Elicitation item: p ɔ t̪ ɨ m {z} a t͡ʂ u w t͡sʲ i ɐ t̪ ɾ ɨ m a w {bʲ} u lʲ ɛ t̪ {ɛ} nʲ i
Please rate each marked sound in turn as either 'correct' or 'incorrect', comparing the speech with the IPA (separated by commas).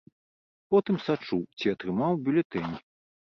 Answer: incorrect, correct, correct